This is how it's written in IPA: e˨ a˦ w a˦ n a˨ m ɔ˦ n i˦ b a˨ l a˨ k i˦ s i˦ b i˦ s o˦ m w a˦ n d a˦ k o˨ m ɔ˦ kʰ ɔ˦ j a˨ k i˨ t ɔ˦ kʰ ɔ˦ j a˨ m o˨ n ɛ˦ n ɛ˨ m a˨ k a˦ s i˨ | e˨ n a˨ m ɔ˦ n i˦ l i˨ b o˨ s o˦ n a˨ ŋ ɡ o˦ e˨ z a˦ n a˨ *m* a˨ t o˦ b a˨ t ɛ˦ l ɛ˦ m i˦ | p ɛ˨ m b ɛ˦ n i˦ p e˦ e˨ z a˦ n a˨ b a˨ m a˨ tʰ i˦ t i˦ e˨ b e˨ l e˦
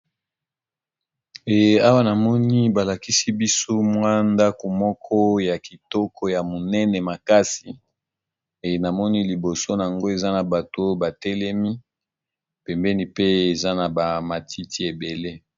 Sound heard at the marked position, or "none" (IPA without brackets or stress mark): b